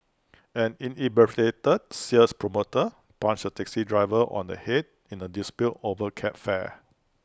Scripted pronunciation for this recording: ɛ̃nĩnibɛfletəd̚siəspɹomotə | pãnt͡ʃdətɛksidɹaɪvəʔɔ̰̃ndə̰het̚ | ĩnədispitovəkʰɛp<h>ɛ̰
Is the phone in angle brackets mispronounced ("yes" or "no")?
yes